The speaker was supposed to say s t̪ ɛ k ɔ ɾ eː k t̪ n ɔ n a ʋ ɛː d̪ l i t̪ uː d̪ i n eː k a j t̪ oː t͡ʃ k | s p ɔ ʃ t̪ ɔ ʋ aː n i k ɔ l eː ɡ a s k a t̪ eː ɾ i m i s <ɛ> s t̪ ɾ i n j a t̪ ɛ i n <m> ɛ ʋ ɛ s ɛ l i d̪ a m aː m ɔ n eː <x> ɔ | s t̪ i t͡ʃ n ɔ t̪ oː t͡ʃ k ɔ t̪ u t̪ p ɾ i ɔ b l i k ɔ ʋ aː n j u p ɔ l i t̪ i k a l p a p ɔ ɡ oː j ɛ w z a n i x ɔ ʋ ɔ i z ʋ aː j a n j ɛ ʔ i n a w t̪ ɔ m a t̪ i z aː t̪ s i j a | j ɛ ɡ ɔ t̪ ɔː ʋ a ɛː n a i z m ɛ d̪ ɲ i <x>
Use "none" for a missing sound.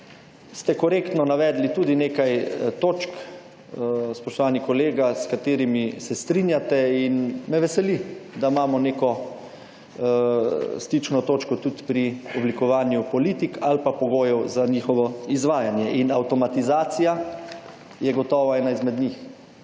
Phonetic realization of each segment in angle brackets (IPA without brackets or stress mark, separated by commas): ɛ, m, k, x